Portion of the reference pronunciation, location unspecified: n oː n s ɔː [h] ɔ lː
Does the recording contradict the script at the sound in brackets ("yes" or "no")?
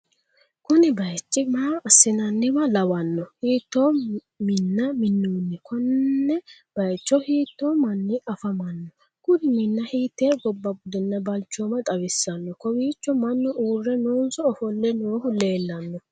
yes